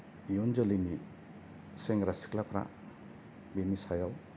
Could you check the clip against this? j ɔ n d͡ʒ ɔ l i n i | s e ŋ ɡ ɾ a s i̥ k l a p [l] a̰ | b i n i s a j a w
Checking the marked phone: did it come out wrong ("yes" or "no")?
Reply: yes